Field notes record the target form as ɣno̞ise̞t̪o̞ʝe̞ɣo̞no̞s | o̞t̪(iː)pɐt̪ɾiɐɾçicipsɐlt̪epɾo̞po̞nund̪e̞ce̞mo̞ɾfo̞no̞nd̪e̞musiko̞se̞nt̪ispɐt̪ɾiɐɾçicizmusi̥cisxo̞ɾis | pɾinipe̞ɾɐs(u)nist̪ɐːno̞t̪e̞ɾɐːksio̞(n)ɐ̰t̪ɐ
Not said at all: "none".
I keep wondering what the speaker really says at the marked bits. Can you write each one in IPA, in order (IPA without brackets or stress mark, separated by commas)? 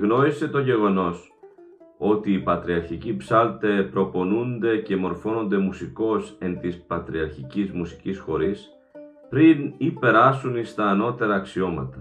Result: iː, u, m